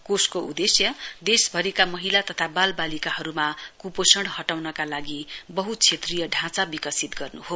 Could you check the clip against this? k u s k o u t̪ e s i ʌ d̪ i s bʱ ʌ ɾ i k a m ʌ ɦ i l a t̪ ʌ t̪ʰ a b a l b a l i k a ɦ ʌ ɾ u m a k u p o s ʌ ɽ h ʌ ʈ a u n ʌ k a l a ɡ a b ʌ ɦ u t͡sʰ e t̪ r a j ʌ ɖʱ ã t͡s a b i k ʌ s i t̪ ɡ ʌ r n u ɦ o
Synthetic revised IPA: k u s k o u d̪ e s j ʌ d̪ e s bʱ ʌ ɾ i k a m ʌ ɦ i l a t̪ ʌ t̪ʰ a b a l b a l i k a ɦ ʌ ɾ u m a k u p o s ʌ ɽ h ʌ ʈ a w n ʌ k a l a ɡ i b ʌ ɦ u t͡sʰ e t̪ r i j ʌ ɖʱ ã t͡s a b i k ʌ s i t̪ ɡ ʌ r n u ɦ o

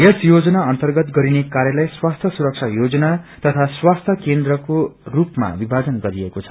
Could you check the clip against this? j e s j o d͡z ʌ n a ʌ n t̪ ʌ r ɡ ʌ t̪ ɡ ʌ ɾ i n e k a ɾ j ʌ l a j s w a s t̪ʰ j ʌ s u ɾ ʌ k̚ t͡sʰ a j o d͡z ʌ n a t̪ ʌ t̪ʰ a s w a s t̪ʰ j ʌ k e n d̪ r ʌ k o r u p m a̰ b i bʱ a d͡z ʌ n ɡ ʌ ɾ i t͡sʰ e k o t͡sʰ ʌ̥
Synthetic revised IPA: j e s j o d͡z ʌ n a ʌ n t̪ ʌ r ɡ ʌ t̪ ɡ ʌ ɾ i n e k a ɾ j ʌ l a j s w a s t̪ʰ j ʌ s u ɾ ʌ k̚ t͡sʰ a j o d͡z ʌ n a t̪ ʌ t̪ʰ a s w a s t̪ʰ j ʌ k e n d̪ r ʌ k o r u p m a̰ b i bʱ a d͡z ʌ n ɡ ʌ ɾ i e k o t͡sʰ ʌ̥

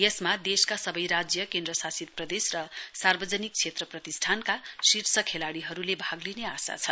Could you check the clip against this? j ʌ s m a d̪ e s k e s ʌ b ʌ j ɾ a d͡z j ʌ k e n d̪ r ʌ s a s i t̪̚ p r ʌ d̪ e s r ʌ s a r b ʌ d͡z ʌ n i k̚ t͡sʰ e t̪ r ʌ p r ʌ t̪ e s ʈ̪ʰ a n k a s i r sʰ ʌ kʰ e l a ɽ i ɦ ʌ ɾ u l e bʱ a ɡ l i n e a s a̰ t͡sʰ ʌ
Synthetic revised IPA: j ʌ s m a d̪ e s k a s ʌ b ʌ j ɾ a d͡z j ʌ k e n d̪ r ʌ s a s i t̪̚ p r ʌ d̪ e s r ʌ s a r b ʌ d͡z ʌ n i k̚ t͡sʰ e t̪ r ʌ p r ʌ t̪ i s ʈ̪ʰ a n k a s i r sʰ ʌ kʰ e l a ɽ i ɦ ʌ ɾ u l e bʱ a ɡ l i n e a s a̰ t͡sʰ ʌ

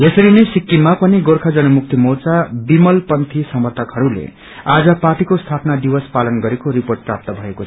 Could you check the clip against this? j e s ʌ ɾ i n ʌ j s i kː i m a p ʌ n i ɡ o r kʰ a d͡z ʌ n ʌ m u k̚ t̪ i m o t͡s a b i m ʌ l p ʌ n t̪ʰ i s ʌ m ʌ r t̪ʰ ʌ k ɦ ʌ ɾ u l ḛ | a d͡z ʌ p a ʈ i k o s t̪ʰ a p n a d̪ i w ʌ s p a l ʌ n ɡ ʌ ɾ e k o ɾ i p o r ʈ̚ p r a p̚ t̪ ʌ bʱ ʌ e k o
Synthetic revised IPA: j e s ʌ ɾ i n ʌ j s i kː i m a p ʌ n i ɡ o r kʰ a d͡z ʌ n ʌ m u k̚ t̪ i m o t͡s a b i m ʌ l p ʌ n t̪ʰ i s ʌ m ʌ r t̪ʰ ʌ k ɦ ʌ ɾ u l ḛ | a d͡z ʌ p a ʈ i k o s t̪ʰ a p n a d̪ i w ʌ s p a l ʌ n ɡ ʌ ɾ e k o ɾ i p o r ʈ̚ p r a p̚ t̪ ʌ bʱ ʌ e k o

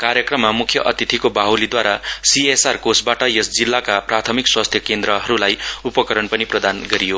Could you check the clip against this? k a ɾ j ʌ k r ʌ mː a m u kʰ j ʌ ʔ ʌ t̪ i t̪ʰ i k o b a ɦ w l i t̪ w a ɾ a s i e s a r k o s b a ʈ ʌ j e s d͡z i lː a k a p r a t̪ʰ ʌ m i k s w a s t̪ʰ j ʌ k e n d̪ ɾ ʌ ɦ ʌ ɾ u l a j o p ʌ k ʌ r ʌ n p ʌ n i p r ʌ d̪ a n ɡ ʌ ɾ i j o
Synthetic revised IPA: k a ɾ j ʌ k r ʌ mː a m u kʰ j ʌ ʔ ʌ t̪ i t̪ʰ i k o b a ɦ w l i d̪ w a ɾ a s i e s a r k o s b a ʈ ʌ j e s d͡z i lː a k a p r a t̪ʰ ʌ m i k s w a s t̪ʰ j ʌ k e n d̪ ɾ ʌ ɦ ʌ ɾ u l a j u p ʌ k ʌ ɾ ʌ n p ʌ n i p r ʌ d̪ a n ɡ ʌ ɾ i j o

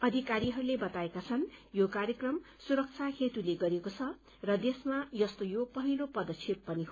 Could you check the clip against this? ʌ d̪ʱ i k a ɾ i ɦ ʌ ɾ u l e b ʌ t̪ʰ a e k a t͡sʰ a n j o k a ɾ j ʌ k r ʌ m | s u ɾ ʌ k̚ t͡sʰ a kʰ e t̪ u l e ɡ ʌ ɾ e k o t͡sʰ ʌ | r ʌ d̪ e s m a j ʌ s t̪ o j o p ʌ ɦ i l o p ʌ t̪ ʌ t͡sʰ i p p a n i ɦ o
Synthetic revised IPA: ʌ d̪ʱ i k a ɾ i ɦ ʌ ɾ u l e b ʌ t̪ a e k a t͡sʰ ʌ n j o k a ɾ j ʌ k r ʌ m | s u ɾ ʌ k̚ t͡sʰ a kʰ e t̪ u l e ɡ ʌ ɾ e k o t͡sʰ ʌ | r ʌ d̪ e s m a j ʌ s t̪ o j o p ʌ ɦ i l o p ʌ d̪ ʌ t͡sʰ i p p ʌ n i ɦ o

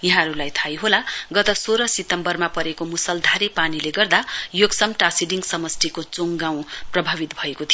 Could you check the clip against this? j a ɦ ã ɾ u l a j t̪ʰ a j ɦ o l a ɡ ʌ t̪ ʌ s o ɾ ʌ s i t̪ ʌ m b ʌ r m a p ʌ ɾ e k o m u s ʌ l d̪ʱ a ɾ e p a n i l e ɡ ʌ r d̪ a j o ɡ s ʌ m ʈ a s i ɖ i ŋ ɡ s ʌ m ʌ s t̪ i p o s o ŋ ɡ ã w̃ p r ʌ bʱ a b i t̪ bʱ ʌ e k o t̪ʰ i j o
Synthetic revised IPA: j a ɦ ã ɾ u l a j t̪ʰ a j ɦ o l a ɡ ʌ t̪ ʌ s o ɾ ʌ s i t̪ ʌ m b ʌ r m a p ʌ ɾ e k o m u s ʌ l d̪ʱ a ɾ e p a n i l e ɡ ʌ r d̪ a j o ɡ s ʌ m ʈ a s i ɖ i ŋ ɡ s ʌ m ʌ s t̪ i k o t͡s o ŋ ɡ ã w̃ p r ʌ bʱ a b i t̪ bʱ ʌ e k o t̪ʰ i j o

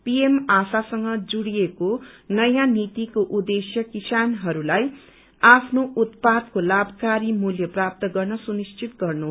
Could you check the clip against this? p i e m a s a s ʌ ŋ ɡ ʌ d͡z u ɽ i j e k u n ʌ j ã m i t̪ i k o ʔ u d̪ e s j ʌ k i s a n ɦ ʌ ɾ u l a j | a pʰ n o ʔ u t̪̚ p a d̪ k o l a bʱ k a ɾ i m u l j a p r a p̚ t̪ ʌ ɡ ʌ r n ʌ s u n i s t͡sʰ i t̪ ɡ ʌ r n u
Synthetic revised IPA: p i e m a s a s ʌ ŋ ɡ ʌ d͡z u ɽ i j e k o n ʌ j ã n i t̪ i k o ʔ u d̪ e s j ʌ k i s a n ɦ ʌ ɾ u l a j | a pʰ n o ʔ u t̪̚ p a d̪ k o l a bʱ k a ɾ i m u l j ʌ p r a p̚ t̪ ʌ ɡ ʌ r n ʌ s u n i s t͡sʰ i t̪ ɡ ʌ r n u

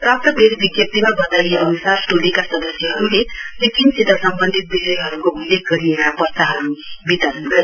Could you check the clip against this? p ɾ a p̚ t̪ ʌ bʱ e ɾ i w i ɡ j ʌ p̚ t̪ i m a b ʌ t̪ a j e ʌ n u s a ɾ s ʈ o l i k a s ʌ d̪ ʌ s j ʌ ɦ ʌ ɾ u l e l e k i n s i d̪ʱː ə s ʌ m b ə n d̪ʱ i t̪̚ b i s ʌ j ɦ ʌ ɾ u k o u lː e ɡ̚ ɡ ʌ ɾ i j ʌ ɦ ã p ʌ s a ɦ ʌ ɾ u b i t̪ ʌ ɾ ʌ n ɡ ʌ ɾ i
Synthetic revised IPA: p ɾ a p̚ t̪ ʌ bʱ e ɾ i b i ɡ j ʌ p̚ t̪ i m a b ʌ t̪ a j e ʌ n u s a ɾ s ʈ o l i k a s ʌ d̪ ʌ s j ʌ ɦ ʌ ɾ u l e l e k i n s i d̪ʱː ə s ʌ m b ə n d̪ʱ i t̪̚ b i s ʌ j ɦ ʌ ɾ u k o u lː e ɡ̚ ɡ ʌ ɾ i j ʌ ɦ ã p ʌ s a ɦ ʌ ɾ u b i t̪ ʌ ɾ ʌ n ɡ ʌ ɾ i

